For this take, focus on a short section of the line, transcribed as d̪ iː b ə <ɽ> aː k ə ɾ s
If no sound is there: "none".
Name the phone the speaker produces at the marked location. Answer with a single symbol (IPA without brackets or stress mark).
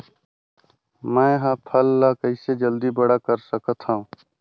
ɽ